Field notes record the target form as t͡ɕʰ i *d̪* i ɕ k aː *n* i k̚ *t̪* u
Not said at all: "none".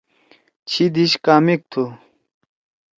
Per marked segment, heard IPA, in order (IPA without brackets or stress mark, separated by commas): d̪, m, t̪ʰ